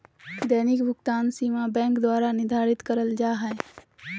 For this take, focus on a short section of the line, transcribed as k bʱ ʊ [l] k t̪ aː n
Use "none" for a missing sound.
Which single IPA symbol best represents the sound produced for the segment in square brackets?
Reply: none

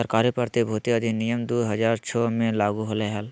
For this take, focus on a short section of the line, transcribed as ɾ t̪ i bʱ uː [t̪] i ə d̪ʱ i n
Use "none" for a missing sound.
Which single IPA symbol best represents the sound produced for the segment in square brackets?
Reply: t̪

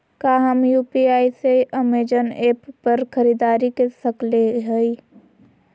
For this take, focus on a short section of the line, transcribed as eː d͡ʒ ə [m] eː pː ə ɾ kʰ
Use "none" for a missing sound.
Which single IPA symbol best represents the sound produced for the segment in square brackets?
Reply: n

